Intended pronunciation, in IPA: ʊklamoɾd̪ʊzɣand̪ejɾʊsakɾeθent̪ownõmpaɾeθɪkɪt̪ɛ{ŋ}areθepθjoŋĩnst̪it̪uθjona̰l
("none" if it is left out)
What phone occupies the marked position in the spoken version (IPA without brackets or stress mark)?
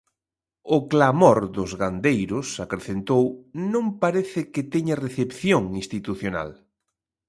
ɲ